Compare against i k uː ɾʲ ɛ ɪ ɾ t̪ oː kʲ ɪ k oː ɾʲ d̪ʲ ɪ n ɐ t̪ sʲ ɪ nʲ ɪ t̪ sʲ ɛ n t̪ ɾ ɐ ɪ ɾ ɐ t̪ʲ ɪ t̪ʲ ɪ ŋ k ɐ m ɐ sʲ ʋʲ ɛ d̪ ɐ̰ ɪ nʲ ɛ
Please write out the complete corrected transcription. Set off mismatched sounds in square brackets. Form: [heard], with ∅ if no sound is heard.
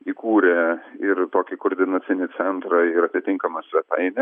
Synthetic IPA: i k uː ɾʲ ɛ ɪ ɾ t̪ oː kʲ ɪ k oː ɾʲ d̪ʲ ɪ n ɐ t̪ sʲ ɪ nʲ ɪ t̪ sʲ ɛ n t̪ ɾ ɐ ɪ ɾ ɐ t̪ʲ ɪ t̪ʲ ɪ ŋ k ɐ m ɐ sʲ ʋʲ ɛ [t̪] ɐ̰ ɪ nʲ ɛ